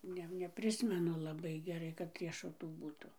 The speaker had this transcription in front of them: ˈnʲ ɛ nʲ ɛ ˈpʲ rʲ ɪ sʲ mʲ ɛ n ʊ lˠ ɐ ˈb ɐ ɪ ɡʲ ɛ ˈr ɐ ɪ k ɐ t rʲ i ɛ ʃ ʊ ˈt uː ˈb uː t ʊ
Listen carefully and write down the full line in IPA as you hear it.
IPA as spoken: ˈnʲ ɛ nʲ ɛ ˈpʲ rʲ ɪ sʲ mʲ ɛ n ʊ lˠ ɐ ˈb ɐ ɪ ɡʲ ɛ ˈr ɐ ɪ k ɐ t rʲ i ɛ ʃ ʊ ˈt uː ˈb uː t ʊ